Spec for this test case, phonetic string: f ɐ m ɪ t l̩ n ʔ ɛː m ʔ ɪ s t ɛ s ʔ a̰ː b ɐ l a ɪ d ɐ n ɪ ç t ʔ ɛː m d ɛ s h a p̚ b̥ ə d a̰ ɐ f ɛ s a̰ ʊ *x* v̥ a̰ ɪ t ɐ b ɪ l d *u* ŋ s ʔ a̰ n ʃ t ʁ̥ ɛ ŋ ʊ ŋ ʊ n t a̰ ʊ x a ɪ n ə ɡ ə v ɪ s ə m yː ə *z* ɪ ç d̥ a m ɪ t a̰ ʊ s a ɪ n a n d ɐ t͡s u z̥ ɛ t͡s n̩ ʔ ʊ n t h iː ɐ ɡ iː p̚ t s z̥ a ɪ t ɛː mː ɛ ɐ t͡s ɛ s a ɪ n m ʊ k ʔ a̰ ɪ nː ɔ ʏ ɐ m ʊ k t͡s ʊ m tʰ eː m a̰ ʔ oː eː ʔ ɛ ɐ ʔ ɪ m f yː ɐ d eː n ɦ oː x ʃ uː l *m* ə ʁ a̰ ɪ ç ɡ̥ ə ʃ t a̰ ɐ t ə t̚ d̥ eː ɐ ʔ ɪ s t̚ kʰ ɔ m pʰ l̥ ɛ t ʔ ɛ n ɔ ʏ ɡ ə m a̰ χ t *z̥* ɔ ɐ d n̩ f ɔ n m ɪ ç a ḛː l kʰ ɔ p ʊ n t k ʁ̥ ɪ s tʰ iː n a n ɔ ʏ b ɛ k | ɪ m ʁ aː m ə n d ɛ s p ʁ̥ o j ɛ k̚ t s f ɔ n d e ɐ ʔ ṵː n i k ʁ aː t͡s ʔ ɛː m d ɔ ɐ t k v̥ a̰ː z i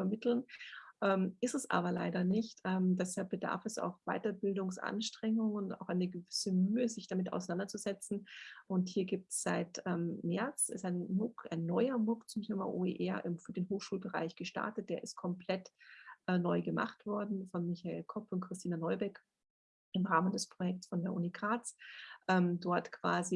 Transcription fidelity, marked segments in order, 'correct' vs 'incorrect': correct, incorrect, correct, incorrect, incorrect

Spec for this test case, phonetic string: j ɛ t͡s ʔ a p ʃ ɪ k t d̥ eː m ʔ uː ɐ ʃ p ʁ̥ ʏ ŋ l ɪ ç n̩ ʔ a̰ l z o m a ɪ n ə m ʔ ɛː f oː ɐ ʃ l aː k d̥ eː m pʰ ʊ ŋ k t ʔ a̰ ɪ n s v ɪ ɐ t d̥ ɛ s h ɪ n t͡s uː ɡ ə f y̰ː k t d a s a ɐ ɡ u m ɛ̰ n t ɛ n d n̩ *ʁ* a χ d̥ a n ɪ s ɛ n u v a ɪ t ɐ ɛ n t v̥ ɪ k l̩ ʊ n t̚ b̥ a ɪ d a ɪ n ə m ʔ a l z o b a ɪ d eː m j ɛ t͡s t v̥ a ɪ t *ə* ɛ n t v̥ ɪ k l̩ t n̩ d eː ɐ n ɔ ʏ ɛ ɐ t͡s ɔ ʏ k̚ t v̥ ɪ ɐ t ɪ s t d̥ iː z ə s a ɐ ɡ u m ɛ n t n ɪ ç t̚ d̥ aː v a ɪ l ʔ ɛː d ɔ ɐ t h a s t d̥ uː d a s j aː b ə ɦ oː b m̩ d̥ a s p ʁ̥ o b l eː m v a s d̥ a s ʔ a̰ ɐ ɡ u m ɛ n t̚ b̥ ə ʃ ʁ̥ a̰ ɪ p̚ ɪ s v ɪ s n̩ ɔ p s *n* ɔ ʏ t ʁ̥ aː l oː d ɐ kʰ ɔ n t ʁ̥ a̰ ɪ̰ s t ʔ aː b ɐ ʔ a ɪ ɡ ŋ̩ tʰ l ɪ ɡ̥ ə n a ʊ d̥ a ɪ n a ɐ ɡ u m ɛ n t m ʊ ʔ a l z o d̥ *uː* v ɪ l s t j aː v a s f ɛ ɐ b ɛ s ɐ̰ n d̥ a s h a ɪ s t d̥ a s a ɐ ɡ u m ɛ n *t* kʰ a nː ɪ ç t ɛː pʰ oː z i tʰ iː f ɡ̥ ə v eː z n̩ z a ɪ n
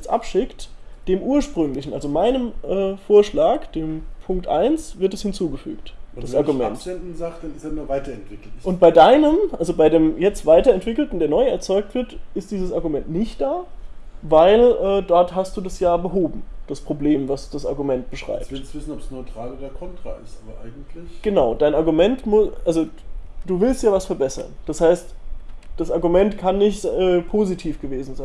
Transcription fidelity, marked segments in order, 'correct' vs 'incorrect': incorrect, incorrect, correct, correct, correct

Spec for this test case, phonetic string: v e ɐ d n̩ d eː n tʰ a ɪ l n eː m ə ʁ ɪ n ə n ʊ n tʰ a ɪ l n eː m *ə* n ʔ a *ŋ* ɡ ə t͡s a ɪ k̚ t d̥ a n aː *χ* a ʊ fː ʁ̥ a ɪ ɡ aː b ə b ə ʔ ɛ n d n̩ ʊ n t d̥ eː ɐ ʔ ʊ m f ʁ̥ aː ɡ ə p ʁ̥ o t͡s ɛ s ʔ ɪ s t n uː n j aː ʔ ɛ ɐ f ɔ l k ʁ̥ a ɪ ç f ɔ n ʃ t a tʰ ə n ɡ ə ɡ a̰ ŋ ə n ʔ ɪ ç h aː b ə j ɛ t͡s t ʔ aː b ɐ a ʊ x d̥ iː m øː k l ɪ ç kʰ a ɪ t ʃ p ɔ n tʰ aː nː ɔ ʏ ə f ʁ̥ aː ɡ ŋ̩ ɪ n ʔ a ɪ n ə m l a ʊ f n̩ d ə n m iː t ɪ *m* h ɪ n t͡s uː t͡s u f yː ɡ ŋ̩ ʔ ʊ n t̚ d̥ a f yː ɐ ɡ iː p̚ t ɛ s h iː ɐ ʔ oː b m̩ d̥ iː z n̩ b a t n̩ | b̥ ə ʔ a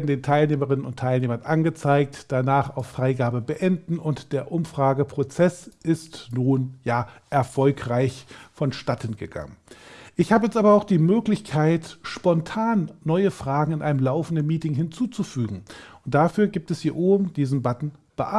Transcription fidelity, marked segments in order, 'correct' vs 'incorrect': incorrect, incorrect, correct, incorrect

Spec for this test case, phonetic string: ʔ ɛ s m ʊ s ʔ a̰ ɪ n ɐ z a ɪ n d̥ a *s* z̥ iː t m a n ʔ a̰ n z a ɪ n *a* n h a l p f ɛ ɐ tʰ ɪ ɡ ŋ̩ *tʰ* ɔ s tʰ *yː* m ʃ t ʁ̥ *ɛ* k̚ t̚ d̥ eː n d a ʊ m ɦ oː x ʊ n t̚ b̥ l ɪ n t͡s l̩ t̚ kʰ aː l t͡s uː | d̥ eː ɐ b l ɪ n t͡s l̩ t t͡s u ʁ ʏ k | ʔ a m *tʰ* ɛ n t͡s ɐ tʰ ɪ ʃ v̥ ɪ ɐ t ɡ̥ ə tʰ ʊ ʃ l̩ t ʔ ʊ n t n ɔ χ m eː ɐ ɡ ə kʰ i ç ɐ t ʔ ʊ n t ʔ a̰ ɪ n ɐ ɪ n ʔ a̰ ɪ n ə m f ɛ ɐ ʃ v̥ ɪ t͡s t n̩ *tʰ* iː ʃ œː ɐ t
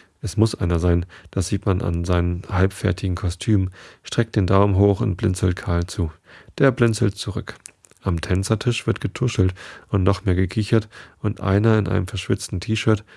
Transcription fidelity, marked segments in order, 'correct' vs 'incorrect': correct, incorrect, incorrect, correct, correct, correct, correct

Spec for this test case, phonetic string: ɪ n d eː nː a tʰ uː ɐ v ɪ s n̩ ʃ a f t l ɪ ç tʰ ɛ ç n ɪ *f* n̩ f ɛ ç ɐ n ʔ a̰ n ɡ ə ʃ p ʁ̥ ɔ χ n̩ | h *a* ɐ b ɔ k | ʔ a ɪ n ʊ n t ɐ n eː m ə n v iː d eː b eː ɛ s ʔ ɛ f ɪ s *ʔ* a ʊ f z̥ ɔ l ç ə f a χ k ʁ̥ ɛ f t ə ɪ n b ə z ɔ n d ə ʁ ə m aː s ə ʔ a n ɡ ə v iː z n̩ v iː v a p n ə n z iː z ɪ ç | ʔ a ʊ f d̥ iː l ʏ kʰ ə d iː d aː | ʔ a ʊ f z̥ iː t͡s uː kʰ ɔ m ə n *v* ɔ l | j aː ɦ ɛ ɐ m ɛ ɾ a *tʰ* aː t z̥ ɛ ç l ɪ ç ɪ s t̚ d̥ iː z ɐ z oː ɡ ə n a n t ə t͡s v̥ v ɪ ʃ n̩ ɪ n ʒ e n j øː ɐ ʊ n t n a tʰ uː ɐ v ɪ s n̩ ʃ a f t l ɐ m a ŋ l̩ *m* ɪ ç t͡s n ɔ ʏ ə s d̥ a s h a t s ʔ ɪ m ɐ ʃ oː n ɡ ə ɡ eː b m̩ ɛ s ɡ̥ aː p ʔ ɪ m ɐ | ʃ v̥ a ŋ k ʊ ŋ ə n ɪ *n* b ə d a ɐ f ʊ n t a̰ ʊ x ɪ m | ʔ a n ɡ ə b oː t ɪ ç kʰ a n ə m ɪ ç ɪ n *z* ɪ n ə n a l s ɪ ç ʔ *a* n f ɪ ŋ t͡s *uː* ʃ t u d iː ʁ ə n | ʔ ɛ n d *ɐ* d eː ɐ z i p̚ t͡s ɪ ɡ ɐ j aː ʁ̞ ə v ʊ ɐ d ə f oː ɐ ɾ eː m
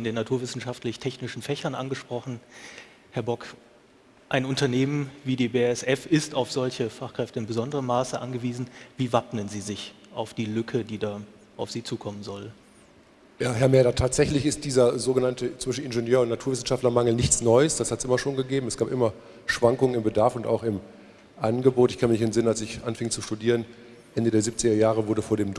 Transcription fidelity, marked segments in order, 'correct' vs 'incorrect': incorrect, incorrect, incorrect, incorrect, correct, incorrect, incorrect, correct, correct, incorrect, incorrect

